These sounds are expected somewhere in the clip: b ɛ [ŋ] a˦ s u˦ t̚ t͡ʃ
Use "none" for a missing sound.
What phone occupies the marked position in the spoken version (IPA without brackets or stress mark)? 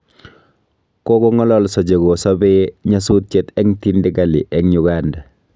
ɲ